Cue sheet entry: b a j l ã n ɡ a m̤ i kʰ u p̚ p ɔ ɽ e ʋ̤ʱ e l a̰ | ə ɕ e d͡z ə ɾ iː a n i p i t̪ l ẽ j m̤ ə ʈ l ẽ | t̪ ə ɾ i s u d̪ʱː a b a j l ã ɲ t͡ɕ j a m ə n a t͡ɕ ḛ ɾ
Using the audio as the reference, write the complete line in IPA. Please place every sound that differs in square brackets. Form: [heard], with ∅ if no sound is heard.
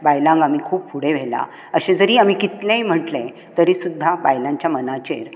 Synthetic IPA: b a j l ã [ŋ] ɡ a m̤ i kʰ [uː] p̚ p [u] ɽ e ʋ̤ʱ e l a̰ | ə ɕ e d͡z ə ɾ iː a [m] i [k] i t̪ l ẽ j m̤ ə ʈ l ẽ | t̪ ə ɾ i s u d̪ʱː a b a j l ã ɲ t͡ɕ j a m ə n a t͡ɕ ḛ ɾ